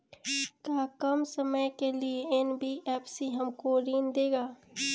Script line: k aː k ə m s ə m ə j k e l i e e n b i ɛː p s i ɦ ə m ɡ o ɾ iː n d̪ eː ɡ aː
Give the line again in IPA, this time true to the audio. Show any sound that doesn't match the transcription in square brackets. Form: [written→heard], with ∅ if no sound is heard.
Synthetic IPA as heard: k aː k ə m s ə m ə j k e l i e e n b i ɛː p s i ɦ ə m [ɡ→k] o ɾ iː n d̪ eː ɡ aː